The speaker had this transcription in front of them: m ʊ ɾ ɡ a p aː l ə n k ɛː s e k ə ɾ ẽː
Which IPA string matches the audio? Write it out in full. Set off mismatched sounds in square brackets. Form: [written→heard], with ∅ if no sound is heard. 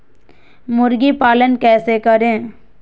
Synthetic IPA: m ʊ ɾ ɡ [a→i] p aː l ə n k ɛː s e k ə ɾ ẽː